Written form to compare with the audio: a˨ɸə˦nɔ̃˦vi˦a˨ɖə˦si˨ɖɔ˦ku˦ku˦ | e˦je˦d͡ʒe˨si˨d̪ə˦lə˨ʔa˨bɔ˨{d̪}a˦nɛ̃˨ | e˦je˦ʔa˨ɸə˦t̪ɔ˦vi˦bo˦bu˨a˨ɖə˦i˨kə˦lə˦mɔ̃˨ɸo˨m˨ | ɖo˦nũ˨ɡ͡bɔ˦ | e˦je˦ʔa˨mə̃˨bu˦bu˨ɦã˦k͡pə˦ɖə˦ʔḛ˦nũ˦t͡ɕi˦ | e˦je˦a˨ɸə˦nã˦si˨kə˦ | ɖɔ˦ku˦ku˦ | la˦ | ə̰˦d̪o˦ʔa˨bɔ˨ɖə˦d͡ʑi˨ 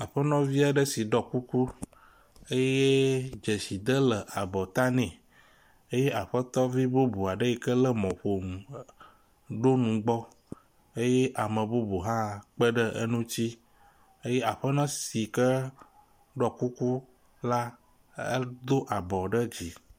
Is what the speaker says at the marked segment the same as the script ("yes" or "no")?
no